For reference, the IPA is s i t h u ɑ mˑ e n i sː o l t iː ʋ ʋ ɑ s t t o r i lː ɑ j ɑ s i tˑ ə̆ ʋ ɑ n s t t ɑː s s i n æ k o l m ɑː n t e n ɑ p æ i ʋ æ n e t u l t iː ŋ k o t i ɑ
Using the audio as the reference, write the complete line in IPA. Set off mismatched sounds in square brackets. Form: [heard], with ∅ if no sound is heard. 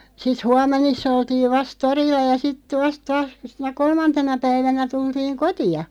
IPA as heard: s i t h u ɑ mˑ e n i sː o l t iː ʋ ʋ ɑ s t t o r i lː ɑ j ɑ s i tˑ ə̆ ʋ ɑ [∅] s t t ɑː s s i n æ k o l m [ɑ] n t e n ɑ p æ i ʋ æ n [æ] t u l t iː ŋ k o t i ɑ